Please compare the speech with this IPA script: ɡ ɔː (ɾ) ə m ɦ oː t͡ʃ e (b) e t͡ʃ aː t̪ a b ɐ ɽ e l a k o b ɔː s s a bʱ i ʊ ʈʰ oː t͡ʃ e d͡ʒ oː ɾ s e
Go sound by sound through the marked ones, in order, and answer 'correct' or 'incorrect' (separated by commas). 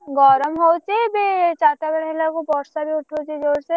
correct, correct